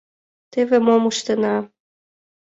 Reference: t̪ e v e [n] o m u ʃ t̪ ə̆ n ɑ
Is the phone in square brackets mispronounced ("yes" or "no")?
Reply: yes